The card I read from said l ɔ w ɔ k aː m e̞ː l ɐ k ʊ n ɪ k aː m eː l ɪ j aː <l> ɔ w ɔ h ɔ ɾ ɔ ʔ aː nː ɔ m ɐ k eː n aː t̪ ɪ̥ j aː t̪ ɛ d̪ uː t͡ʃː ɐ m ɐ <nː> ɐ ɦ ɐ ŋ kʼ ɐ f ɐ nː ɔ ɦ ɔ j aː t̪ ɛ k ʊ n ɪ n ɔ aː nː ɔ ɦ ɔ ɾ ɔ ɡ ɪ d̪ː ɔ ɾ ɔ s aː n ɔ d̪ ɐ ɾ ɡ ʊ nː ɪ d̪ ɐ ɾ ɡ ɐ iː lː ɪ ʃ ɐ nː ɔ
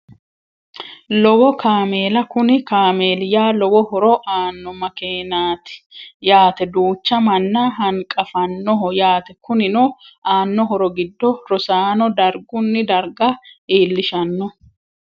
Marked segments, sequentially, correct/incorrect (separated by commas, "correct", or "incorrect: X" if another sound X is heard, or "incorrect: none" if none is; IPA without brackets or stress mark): correct, correct